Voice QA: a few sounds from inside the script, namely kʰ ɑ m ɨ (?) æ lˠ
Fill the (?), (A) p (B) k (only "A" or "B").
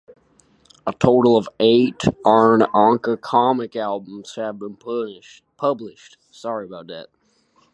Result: B